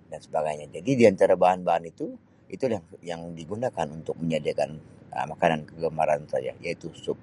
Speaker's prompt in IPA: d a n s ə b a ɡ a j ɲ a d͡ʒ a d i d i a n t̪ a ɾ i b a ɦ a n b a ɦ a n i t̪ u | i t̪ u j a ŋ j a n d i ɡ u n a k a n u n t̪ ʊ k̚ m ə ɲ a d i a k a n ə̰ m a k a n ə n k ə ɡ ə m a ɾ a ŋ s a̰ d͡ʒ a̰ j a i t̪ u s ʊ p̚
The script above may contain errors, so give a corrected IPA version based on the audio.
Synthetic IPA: d a n s ə b a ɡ a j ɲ a d͡ʒ a d i d i a n t̪ a ɾ a b a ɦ a n b a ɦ a n i t̪ u | i t̪ u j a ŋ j a ŋ d i ɡ u n a k a n u n t̪ ʊ k̚ m ə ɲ a d i a k a n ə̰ m a k a n a n k ə ɡ ə m a ɾ a n s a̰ d͡ʒ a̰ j a i t̪ u s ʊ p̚